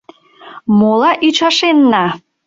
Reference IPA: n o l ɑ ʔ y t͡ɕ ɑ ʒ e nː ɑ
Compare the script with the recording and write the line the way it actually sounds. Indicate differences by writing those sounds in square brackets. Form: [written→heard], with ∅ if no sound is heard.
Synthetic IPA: [n→m] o l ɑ ʔ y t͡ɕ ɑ [ʒ→ʃ] e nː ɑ

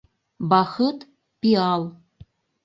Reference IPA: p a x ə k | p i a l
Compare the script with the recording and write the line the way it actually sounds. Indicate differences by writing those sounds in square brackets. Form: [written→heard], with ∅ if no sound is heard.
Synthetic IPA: [p→b] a x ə [k→t] | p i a l

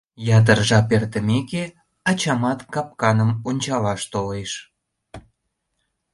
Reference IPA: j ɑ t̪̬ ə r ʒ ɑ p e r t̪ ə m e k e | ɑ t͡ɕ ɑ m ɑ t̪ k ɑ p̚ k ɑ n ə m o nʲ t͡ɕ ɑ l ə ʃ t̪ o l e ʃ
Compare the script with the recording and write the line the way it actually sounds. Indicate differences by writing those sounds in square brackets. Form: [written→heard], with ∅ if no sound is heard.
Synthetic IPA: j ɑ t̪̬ ə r ʒ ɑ p e r t̪ ə m e k e | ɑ t͡ɕ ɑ m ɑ t̪ k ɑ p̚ k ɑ n ə m o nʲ t͡ɕ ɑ l [ə→ɑ] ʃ t̪ o l e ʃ

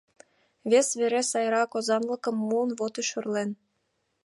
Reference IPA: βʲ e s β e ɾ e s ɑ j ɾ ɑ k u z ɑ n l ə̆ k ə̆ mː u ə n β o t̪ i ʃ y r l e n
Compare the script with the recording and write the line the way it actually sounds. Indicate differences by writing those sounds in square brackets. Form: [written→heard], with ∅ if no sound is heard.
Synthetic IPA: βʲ e s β e ɾ e s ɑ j ɾ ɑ k [u→o] z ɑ n l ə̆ k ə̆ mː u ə n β o t̪ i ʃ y r l e n

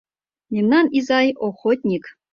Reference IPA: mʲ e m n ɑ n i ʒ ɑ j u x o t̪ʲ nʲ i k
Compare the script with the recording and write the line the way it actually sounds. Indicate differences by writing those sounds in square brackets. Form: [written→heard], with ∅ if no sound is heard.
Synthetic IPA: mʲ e m n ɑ n i [ʒ→z] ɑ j [u→o] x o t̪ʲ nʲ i k

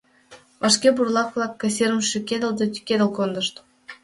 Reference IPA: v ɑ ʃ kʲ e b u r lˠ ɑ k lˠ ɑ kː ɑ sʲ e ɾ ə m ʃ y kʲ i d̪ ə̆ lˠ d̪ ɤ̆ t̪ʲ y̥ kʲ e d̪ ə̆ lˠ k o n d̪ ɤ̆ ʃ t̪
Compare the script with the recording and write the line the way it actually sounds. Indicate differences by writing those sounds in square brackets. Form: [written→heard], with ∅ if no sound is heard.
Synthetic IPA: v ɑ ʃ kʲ e b u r lˠ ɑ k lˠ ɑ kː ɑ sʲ e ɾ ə m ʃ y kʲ [i→e] d̪ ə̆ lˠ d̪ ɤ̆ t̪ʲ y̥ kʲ e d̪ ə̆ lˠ k o n d̪ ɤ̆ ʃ t̪

